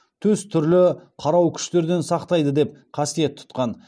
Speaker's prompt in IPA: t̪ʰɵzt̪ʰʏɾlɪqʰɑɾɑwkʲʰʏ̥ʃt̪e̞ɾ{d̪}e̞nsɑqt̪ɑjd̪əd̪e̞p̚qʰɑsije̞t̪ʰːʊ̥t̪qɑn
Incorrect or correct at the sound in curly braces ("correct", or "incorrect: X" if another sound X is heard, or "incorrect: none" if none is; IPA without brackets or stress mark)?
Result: correct